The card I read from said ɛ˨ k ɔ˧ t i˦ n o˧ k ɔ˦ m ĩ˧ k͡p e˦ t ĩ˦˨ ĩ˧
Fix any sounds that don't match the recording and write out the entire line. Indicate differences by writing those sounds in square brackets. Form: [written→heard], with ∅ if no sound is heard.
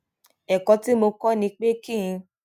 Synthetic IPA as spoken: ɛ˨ k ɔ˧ t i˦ [n→m] o˧ k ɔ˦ [m→n] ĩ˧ k͡p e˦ [t→k] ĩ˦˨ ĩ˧